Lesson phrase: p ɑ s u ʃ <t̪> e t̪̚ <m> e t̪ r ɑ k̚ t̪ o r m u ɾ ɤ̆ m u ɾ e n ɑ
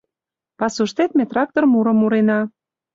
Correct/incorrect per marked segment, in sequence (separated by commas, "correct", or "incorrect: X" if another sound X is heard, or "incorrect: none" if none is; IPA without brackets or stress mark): correct, correct